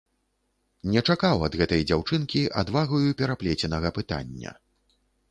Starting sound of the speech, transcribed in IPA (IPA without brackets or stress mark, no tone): nʲ